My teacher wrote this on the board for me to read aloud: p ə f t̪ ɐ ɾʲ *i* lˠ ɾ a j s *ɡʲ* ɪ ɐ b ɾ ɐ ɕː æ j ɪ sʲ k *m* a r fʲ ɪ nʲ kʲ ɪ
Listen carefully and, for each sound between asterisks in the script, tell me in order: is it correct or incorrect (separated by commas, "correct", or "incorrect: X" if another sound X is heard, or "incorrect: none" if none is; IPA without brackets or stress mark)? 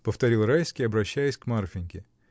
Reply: correct, incorrect: kʲ, correct